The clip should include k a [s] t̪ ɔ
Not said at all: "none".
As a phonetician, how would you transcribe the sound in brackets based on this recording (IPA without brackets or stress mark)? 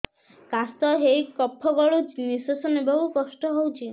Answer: s